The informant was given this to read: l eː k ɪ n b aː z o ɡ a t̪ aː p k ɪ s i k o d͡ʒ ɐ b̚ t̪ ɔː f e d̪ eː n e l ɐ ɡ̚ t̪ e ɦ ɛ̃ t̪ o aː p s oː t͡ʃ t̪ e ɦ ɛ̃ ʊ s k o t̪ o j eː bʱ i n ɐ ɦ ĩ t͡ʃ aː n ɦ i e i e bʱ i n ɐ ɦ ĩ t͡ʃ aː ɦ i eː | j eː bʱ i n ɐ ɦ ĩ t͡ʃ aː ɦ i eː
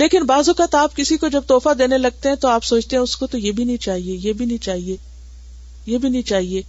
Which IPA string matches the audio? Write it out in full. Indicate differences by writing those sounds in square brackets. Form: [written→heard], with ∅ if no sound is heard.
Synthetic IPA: l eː k ɪ n b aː z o [ɡ→k] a t̪ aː p k ɪ s i k o d͡ʒ ɐ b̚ t̪ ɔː f [e→a] d̪ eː n e l ɐ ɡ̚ t̪ e ɦ ɛ̃ t̪ o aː p s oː t͡ʃ t̪ e ɦ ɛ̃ ʊ s k o t̪ o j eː bʱ i n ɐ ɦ ĩ t͡ʃ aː [n→∅] ɦ i e [i→j] e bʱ i n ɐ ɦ ĩ t͡ʃ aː ɦ i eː | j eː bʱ i n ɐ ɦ ĩ t͡ʃ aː ɦ i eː